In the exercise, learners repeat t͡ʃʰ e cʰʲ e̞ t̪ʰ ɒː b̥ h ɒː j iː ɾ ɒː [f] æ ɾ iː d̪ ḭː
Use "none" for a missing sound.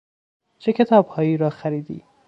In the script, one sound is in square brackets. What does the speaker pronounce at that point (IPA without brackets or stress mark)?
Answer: x